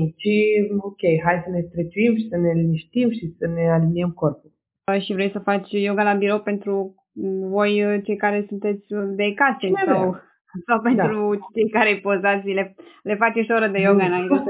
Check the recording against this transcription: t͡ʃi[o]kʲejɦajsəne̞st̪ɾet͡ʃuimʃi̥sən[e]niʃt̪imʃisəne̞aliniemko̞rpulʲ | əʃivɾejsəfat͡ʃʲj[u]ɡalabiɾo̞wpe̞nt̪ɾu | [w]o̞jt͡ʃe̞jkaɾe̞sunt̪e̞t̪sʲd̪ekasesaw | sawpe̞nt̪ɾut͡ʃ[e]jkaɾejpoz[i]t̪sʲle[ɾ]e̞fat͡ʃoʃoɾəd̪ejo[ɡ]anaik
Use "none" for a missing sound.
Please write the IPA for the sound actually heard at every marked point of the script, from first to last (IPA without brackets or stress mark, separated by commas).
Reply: o, e, o, v, e, a, l, ɡ